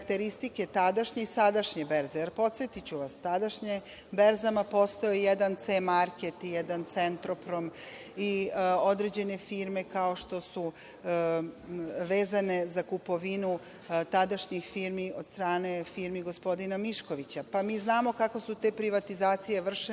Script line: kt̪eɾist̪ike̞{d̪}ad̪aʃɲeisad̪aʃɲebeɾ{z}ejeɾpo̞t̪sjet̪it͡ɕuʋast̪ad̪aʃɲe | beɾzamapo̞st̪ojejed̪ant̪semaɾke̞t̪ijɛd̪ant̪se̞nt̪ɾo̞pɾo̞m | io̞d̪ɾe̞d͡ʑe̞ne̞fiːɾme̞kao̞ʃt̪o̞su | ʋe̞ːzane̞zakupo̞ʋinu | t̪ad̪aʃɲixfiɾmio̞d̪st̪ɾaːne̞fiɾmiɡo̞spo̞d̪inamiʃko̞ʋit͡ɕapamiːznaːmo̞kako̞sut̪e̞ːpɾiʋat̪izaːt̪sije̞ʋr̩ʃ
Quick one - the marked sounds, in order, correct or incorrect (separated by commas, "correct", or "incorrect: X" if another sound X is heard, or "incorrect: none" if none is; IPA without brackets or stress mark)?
incorrect: t̪, correct